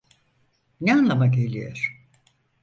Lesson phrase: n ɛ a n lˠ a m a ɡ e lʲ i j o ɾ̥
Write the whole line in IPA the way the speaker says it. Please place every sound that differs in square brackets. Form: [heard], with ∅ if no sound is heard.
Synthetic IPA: n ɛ a n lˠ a m a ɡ e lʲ i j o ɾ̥